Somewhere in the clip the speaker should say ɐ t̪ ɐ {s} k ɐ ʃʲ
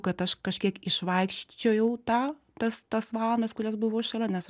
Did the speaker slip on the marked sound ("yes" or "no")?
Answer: yes